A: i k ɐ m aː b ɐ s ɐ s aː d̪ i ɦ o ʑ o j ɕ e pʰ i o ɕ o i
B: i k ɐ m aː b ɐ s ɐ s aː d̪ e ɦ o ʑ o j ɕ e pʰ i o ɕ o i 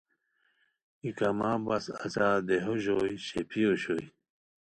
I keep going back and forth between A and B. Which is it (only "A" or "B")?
B